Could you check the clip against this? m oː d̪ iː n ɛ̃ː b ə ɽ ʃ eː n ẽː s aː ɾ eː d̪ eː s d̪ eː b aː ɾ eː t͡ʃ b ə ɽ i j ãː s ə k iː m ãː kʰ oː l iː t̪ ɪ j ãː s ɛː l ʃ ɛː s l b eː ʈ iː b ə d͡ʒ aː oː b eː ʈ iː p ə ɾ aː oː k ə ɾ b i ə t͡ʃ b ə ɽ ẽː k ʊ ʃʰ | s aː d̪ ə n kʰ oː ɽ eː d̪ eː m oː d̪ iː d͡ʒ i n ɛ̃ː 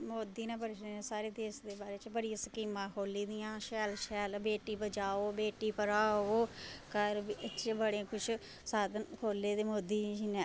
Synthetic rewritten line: m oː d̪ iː n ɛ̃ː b ə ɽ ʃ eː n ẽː s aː ɾ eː d̪ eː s d̪ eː b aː ɾ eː t͡ʃ b ə ɽ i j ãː s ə k iː m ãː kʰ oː l iː d̪ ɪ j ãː ʃ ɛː l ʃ ɛː l b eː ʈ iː b ə d͡ʒ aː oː b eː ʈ iː p ə ɾ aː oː k ə ɾ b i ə t͡ʃ b ə ɽ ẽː k ʊ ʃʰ | s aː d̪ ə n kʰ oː l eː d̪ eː m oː d̪ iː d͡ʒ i n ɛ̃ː

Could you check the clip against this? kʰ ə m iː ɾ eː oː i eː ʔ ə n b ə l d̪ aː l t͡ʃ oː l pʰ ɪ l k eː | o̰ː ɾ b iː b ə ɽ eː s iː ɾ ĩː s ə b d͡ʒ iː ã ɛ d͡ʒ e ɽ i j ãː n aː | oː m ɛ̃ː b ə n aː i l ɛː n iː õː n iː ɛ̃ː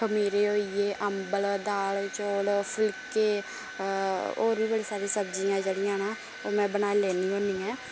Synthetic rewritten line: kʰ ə m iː ɾ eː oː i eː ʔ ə m b ə l d̪ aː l t͡ʃ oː l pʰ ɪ l k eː | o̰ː ɾ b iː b ə ɽ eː s aː ɾ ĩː s ə b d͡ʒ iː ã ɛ d͡ʒ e ɽ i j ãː n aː | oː m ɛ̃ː b ə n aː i l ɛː n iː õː n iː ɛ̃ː

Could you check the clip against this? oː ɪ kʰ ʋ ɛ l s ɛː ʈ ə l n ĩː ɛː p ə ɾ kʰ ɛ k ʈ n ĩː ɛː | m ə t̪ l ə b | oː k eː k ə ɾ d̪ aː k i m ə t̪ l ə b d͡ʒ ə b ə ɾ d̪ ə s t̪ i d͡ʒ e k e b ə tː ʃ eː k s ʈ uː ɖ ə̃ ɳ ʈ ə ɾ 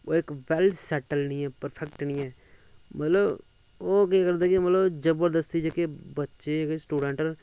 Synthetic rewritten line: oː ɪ k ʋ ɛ l s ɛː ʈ ə l n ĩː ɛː p ə ɾ pʰ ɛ k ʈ n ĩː ɛː | m ə t̪ l ə b | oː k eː k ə ɾ d̪ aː k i m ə t̪ l ə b d͡ʒ ə b ə ɾ d̪ ə s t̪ i d͡ʒ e k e b ə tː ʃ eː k s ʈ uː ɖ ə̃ ɳ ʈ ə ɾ

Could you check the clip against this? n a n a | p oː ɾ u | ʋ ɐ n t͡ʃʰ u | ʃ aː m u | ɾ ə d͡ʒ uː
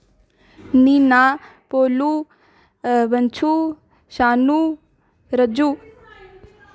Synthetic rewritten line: n i n a | p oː l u | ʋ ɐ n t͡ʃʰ u | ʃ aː n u | ɾ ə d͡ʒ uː

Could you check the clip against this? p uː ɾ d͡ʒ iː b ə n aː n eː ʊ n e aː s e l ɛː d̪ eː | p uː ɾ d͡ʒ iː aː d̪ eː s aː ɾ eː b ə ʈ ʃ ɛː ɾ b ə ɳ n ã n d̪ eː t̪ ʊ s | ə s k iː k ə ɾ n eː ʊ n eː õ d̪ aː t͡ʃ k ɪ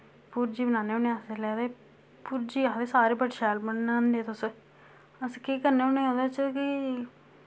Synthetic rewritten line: p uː ɾ d͡ʒ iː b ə n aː n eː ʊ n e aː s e l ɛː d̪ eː | p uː ɾ d͡ʒ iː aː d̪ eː s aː ɾ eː b ə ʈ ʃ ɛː l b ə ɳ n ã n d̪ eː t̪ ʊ s | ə s k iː k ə ɾ n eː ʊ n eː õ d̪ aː t͡ʃ k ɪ

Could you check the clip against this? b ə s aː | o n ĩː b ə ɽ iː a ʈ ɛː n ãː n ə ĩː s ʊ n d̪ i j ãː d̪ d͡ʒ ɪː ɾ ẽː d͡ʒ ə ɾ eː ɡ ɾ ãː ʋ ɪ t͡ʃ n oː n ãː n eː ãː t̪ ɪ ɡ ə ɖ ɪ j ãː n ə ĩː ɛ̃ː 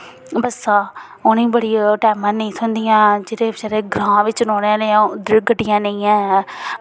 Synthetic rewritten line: b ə s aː | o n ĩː b ə ɽ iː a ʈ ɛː m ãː n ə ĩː s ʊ n d̪ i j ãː d͡ʒ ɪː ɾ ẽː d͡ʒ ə ɾ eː ɡ ɾ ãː ʋ ɪ t͡ʃ n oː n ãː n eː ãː d̪ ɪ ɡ ə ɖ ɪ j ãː n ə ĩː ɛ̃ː

